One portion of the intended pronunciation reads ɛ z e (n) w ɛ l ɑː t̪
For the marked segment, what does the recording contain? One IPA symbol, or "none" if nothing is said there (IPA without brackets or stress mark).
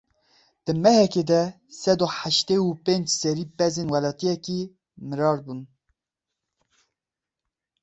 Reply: n